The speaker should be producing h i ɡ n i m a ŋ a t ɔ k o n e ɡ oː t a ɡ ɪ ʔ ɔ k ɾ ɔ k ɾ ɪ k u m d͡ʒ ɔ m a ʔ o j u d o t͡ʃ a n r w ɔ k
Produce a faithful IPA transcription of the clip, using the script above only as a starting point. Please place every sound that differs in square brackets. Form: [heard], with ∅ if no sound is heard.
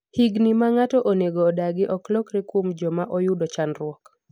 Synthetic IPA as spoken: h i ɡ n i m a ŋ a t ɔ [ʔ] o n e ɡ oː [d] a ɡ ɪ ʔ ɔ k [l] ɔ k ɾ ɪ k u m d͡ʒ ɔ m a ʔ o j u d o t͡ʃ a n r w ɔ k